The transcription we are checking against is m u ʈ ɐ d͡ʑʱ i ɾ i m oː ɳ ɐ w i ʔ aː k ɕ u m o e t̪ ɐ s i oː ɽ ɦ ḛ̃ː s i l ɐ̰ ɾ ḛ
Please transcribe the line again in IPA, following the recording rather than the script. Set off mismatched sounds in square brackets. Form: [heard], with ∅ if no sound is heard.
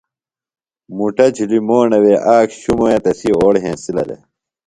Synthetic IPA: m u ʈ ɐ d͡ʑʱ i [l] i m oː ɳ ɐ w [e] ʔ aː k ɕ u m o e t̪ ɐ s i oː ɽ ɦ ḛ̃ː s i l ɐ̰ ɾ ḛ